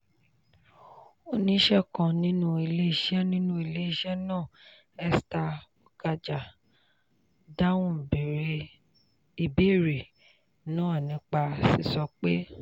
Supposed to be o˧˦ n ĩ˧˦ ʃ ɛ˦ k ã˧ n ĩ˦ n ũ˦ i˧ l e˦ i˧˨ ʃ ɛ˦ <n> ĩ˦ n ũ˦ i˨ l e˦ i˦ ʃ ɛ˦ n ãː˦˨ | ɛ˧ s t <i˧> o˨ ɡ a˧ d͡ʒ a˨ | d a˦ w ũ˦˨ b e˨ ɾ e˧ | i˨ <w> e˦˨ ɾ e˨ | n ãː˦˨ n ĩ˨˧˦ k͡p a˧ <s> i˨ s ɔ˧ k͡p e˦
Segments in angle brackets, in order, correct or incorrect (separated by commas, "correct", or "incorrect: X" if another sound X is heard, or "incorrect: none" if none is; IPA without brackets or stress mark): correct, incorrect: a˧, incorrect: b, correct